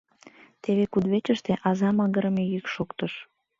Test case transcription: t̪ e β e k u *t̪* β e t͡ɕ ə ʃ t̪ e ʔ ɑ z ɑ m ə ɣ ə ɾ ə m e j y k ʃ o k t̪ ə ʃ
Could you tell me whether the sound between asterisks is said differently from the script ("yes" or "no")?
yes